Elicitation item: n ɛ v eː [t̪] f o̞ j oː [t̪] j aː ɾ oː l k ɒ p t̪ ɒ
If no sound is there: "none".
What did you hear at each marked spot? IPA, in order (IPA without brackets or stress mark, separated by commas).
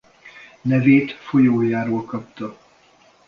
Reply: t̪, none